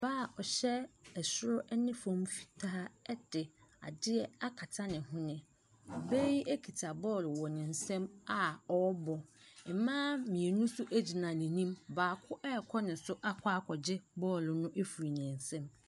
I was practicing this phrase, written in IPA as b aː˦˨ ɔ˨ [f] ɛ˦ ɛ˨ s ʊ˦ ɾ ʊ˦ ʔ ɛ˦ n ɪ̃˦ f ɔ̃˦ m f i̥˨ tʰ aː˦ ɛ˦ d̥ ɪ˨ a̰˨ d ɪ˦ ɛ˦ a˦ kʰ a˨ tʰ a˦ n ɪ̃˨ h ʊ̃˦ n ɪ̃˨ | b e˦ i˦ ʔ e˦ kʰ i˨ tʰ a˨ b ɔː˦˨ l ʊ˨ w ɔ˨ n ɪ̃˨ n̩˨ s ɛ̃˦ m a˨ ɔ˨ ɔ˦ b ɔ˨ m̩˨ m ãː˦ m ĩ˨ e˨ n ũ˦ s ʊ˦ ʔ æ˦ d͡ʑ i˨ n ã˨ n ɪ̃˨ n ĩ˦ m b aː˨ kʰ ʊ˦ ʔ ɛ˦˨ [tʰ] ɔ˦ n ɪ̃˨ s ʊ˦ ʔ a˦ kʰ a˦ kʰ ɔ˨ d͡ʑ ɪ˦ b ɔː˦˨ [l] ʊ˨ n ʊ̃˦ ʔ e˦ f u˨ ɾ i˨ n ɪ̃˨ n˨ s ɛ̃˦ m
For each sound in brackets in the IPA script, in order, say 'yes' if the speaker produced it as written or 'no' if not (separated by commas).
no, no, yes